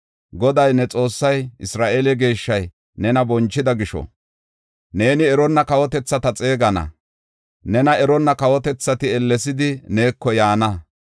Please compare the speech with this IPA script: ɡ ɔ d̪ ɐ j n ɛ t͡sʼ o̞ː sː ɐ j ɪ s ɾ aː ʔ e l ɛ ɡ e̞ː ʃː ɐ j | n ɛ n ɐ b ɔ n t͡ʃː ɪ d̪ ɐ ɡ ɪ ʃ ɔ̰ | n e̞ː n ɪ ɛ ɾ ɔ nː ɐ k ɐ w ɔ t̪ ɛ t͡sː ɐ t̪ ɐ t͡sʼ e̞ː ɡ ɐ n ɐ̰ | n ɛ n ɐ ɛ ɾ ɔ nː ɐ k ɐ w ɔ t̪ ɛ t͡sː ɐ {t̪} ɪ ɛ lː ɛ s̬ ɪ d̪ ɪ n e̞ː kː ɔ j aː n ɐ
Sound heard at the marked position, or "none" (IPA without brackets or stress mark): t̪